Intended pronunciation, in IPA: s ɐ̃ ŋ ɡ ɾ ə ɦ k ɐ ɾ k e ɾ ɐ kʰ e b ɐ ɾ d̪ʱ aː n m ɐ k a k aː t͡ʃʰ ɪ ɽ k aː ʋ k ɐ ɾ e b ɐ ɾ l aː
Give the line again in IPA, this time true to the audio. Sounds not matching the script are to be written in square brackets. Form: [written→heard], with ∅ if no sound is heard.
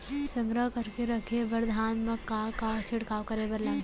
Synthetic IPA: s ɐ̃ ŋ ɡ ɾ ə ɦ k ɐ ɾ k e ɾ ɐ kʰ e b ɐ ɾ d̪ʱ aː n m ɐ k a k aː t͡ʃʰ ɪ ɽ k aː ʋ k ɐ ɾ e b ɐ ɾ l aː